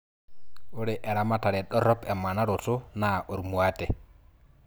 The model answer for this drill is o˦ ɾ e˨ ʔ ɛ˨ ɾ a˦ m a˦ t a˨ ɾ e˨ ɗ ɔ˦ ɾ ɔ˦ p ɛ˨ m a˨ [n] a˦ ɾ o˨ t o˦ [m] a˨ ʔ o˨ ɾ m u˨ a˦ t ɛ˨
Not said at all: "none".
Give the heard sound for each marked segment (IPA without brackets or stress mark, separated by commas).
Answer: n, n